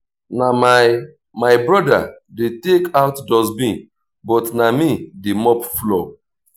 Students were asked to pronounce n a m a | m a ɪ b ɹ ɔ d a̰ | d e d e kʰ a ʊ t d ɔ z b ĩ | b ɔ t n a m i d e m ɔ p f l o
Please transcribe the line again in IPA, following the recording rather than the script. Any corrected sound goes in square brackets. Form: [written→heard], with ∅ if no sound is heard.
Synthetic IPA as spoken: n a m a | m a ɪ b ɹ ɔ d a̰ | d e [d→t] e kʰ a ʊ t d ɔ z b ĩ | b ɔ t n a m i d e m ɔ p f l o